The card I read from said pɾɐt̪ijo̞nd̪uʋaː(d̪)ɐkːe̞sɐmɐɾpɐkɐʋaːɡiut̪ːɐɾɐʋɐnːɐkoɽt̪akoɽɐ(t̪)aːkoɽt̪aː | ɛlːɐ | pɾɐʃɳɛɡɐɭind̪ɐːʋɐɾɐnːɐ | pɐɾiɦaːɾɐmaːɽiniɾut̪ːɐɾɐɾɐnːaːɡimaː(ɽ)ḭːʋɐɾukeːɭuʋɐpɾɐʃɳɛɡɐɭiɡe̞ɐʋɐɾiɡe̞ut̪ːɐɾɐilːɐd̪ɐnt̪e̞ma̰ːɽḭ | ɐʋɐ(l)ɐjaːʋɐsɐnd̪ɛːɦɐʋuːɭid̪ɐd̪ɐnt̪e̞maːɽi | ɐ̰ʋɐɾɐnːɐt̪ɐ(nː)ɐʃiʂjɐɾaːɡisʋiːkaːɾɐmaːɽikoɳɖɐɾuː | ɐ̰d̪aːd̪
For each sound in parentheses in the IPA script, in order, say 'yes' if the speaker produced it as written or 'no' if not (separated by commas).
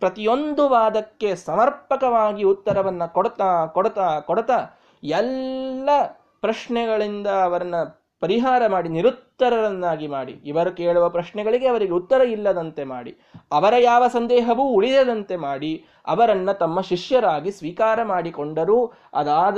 yes, yes, yes, no, no